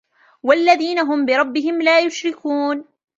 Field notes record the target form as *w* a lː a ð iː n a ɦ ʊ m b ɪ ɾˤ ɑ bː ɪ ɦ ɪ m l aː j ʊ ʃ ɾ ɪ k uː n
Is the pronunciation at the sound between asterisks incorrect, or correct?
correct